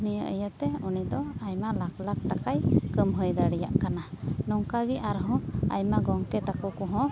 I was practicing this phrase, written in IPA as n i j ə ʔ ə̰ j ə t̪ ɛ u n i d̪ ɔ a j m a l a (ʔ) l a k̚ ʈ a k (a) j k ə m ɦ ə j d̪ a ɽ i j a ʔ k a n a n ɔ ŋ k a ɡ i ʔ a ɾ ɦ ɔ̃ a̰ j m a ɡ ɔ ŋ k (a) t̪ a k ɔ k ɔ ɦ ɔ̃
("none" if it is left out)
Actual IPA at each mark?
k, a, ɛ

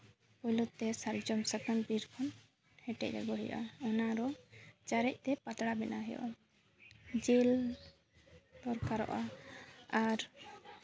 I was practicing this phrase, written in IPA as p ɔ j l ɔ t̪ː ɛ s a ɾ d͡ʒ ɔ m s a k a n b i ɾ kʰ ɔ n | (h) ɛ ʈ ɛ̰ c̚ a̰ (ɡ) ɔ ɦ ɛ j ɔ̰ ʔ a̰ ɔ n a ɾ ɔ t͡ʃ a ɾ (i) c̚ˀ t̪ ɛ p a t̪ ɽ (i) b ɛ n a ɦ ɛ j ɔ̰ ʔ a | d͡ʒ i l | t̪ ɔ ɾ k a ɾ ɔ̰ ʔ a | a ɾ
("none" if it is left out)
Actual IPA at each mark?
h, ɡ, ɛ, a

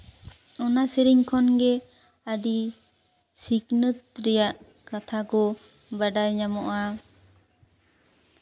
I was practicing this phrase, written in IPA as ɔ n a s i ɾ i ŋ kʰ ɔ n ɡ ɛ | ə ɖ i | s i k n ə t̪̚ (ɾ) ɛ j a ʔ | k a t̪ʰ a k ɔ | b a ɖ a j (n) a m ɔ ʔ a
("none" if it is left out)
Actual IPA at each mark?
ɾ, ɲ

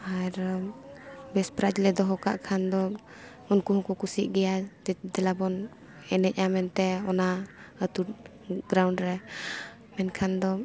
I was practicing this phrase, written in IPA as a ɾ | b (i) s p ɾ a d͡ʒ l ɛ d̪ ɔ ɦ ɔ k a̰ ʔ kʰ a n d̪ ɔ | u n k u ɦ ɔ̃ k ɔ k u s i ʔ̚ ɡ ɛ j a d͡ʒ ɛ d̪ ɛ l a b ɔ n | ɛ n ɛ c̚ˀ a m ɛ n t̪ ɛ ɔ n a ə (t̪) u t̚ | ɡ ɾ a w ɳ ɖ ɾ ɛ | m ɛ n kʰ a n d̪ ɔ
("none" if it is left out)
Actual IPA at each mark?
ɛ, t̪

